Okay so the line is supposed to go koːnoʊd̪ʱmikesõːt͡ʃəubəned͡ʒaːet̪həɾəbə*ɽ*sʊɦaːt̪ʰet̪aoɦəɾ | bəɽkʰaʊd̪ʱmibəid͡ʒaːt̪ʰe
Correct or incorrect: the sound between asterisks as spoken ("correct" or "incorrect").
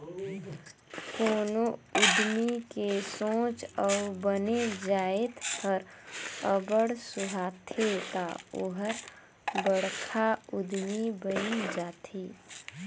correct